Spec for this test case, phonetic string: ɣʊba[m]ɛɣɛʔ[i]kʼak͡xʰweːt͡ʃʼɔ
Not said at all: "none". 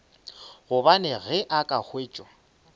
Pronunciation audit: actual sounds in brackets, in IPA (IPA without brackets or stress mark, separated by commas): n, a